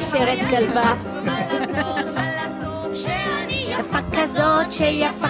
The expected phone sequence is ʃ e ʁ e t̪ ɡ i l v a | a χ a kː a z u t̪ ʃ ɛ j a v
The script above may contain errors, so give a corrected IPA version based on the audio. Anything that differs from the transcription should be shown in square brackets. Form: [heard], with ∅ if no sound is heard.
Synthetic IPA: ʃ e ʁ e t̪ ɡ [a] l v a | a [f] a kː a z [o] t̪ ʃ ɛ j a [f]